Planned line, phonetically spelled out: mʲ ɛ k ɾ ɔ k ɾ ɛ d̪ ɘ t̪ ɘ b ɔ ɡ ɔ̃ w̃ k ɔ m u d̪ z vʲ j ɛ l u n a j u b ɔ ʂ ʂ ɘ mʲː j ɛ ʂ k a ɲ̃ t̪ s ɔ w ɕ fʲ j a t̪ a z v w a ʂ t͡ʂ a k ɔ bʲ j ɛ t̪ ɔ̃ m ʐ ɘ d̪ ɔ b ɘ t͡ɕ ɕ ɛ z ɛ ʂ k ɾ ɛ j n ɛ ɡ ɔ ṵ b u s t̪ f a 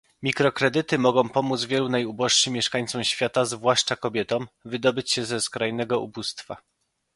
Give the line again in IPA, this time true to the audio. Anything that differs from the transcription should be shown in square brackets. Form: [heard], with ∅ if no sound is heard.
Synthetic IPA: mʲ [i] k ɾ ɔ k ɾ ɛ d̪ ɘ t̪ ɘ [m] ɔ ɡ ɔ̃ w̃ [p] ɔ m u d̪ z vʲ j ɛ l u n a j u b ɔ ʂ ʂ ɘ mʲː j ɛ ʂ k a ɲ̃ t̪ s ɔ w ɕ fʲ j a t̪ a z v w a ʂ t͡ʂ a k ɔ bʲ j ɛ t̪ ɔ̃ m [v] ɘ d̪ ɔ b ɘ t͡ɕ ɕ ɛ z ɛ [s] k ɾ [a] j n ɛ ɡ ɔ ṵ b u s t̪ f a